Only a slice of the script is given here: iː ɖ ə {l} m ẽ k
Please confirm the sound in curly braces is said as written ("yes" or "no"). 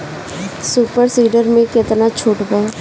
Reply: no